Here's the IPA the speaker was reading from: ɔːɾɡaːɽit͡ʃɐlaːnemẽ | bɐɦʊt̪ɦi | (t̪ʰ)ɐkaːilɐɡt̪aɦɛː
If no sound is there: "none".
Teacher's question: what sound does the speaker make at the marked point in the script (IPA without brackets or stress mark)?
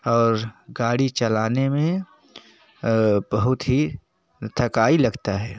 t̪ʰ